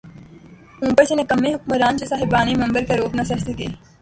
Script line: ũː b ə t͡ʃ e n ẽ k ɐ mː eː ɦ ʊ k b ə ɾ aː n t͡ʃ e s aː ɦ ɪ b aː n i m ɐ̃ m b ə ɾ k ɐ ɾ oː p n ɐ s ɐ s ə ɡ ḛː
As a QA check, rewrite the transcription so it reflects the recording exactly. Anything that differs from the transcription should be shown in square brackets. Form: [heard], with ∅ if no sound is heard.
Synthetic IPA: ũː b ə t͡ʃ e n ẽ k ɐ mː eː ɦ ʊ k [m] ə ɾ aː n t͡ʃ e s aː ɦ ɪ b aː n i m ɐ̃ m b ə ɾ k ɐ ɾ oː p n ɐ s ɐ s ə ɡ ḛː